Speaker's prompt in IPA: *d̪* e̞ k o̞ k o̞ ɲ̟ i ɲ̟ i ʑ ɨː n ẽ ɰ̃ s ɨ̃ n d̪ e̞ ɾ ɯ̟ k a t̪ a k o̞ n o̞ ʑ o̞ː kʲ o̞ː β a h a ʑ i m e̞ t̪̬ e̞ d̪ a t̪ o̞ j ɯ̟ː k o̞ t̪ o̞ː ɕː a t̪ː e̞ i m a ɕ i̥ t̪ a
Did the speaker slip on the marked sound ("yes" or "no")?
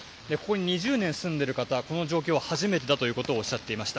no